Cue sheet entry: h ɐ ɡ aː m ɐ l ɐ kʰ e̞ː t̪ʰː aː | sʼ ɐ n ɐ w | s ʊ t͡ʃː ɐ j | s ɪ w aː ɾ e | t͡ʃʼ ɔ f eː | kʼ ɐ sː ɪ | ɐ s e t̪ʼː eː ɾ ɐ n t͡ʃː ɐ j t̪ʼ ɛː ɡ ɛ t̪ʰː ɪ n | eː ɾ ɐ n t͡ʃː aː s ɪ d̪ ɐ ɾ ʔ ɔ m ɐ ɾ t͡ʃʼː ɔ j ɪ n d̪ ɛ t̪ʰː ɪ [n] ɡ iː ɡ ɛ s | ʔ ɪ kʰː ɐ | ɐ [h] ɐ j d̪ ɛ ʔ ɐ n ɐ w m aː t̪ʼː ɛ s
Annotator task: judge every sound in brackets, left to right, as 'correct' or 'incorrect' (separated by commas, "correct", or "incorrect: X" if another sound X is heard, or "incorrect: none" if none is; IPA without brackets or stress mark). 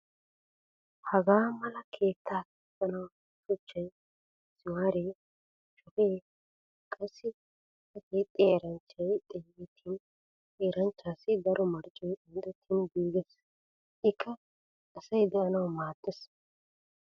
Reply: correct, incorrect: s